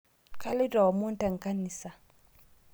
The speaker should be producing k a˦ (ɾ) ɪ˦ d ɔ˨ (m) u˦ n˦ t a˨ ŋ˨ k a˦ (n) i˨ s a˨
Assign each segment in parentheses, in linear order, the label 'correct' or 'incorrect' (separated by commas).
incorrect, correct, correct